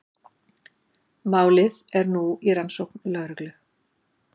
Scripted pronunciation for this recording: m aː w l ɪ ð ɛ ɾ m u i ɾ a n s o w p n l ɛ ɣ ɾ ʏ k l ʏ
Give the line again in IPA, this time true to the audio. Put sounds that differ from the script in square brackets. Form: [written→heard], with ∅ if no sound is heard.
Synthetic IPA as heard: m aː w l ɪ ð ɛ ɾ [m→n] u i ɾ a n s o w [p→k] n l [ɛ→œ] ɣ ɾ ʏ k l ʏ

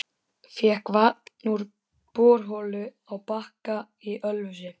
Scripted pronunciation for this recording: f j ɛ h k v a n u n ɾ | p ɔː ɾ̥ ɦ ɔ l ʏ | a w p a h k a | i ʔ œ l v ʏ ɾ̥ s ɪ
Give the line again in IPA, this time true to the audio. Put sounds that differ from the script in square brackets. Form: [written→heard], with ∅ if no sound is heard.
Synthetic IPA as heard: f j ɛ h k v a n u [n→∅] ɾ | p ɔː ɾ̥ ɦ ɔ l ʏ | a w p a h k a | i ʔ œ l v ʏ [ɾ̥→∅] s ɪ

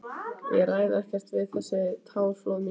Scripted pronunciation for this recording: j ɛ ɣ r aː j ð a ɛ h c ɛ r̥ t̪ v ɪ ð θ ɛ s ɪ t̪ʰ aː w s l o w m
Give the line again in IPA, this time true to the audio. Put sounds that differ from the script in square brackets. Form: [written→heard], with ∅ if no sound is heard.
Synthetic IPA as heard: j ɛ ɣ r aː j ð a ɛ h c ɛ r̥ t̪ v ɪ ð θ ɛ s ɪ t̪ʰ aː w [s→f] l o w m

